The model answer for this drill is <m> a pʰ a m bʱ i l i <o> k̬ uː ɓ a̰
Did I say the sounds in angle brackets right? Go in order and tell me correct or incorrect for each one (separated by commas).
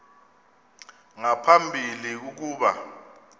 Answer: incorrect, incorrect